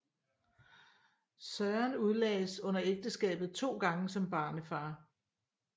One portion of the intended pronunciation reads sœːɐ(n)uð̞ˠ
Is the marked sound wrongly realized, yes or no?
no